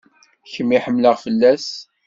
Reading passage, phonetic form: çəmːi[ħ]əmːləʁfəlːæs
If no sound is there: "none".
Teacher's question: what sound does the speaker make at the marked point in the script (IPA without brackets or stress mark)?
ħ